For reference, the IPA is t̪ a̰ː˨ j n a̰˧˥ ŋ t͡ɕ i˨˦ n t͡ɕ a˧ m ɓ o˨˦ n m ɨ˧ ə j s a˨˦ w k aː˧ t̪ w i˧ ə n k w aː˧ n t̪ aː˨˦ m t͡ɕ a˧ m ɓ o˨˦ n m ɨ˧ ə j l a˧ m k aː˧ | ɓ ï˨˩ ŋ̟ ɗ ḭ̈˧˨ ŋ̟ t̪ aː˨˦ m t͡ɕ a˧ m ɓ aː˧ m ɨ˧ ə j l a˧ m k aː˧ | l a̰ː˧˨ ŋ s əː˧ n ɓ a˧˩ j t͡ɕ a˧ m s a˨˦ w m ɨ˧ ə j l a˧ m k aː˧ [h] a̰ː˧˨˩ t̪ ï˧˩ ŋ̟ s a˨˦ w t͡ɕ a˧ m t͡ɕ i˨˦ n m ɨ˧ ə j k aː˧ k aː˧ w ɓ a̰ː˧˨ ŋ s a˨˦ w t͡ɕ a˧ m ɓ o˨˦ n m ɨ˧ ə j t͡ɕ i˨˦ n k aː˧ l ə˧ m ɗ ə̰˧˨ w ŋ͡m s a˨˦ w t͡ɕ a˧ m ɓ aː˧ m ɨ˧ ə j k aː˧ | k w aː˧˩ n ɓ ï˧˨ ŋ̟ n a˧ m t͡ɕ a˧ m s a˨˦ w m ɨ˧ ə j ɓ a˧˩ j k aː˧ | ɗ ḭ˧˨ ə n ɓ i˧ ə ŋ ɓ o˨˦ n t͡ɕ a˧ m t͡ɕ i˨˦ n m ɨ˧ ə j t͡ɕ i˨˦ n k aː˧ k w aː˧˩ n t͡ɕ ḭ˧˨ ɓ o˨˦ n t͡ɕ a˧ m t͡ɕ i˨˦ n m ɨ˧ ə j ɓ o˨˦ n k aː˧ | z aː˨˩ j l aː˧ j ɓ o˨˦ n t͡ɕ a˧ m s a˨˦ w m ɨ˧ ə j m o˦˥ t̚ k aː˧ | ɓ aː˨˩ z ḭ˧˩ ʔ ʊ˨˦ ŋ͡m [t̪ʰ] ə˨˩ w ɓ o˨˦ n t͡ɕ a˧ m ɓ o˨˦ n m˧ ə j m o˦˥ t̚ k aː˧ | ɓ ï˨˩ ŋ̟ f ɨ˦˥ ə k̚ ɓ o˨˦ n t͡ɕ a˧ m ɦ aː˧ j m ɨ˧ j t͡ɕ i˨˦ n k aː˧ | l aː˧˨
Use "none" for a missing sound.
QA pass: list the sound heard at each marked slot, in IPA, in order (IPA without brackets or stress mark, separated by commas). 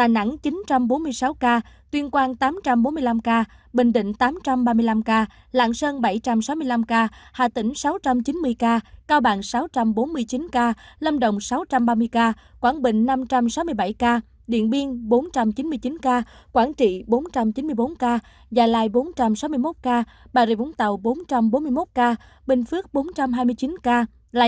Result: h, t̪